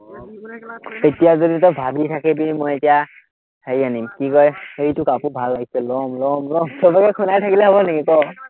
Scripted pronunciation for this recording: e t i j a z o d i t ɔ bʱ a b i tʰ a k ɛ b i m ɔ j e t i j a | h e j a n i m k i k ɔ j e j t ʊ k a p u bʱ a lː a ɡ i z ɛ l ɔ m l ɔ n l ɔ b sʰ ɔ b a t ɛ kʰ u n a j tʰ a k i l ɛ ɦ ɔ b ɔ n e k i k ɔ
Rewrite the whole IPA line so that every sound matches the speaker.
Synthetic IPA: e t i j a z o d i t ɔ bʱ a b i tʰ a k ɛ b i m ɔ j e t i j a | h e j a n i m k i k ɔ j e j t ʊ k a p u bʱ a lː a ɡ i s ɛ l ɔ m l ɔ m l ɔ m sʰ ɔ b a k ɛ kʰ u n a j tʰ a k i l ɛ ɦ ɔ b ɔ n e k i k ɔ